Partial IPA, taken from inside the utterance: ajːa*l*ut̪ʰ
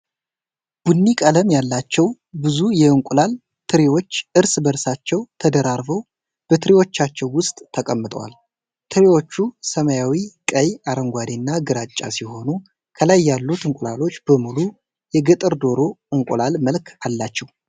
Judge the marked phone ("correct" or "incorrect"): incorrect